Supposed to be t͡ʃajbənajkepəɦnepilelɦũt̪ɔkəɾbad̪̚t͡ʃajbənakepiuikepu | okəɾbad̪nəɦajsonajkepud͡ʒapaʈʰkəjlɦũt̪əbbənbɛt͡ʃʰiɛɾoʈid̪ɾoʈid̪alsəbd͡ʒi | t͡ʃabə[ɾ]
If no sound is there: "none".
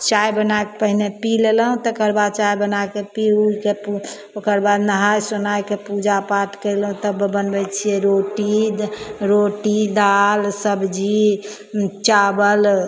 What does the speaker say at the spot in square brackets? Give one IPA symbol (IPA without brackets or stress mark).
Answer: l